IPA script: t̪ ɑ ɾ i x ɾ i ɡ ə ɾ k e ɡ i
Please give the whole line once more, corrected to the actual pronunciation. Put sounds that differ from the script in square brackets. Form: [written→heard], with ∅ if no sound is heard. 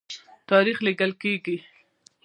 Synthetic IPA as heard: t̪ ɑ ɾ i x [ɾ→l] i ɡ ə [ɾ→l] k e ɡ i